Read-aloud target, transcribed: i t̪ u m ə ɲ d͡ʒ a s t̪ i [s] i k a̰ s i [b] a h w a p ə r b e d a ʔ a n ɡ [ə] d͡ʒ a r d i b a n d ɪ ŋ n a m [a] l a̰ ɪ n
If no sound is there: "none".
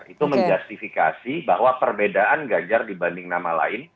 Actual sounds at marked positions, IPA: f, b, a, a

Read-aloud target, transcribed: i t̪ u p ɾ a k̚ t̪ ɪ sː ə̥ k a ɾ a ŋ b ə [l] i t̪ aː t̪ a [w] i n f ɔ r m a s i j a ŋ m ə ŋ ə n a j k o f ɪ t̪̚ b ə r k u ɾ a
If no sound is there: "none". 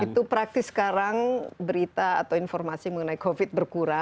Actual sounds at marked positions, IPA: ɾ, w

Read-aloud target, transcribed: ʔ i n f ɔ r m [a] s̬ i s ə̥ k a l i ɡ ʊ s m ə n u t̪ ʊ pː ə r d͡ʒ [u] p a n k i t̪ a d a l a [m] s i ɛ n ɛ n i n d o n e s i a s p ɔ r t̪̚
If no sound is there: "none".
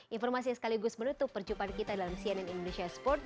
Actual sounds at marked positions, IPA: a, u, m

